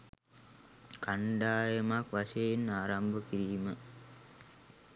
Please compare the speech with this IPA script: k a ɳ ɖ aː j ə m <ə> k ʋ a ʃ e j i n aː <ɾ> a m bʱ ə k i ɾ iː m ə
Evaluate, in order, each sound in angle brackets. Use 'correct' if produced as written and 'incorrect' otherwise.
incorrect, correct

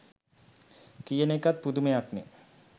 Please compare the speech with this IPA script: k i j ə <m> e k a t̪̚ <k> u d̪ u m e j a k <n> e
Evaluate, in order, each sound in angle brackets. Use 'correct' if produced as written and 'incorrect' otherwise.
incorrect, incorrect, correct

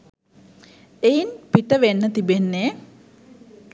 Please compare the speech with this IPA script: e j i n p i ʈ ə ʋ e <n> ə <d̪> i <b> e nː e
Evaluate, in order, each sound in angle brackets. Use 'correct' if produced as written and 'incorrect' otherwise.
incorrect, incorrect, correct

